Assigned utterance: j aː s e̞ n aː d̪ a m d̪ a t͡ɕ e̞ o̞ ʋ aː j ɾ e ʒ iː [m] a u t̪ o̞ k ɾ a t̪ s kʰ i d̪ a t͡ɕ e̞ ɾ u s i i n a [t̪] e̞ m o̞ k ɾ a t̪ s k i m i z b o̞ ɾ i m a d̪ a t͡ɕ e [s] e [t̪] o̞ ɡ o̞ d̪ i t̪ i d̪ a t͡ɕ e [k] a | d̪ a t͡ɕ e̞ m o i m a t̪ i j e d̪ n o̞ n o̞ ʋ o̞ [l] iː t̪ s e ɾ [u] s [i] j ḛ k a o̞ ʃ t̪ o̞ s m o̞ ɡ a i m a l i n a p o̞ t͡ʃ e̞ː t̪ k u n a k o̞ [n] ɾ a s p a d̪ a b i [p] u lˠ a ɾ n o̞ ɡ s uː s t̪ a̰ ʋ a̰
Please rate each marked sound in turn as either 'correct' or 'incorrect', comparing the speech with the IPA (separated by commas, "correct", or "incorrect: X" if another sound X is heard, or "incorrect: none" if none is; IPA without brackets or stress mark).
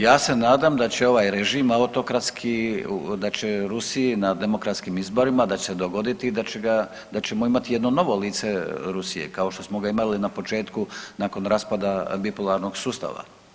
correct, incorrect: d̪, correct, incorrect: d̪, incorrect: ɡ, correct, correct, correct, correct, correct